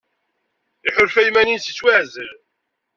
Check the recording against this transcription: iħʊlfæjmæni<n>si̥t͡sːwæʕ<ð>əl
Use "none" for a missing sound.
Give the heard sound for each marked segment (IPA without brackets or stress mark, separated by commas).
n, z